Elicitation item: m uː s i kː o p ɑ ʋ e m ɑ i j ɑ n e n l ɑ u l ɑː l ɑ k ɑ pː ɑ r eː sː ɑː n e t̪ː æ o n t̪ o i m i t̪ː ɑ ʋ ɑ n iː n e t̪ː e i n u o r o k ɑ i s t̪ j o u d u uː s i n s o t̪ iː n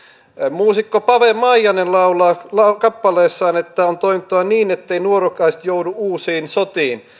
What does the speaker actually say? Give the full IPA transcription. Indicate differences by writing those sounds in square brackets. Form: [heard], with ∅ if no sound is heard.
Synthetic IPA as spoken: m uː s i kː o p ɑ ʋ e m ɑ i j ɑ n e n l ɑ u l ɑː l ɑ k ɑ pː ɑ [l] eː sː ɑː n e t̪ː æ o n t̪ o i m i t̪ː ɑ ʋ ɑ n iː n e t̪ː e i n u o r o k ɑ i s t̪ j o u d u uː s [iː] n s o t̪ iː n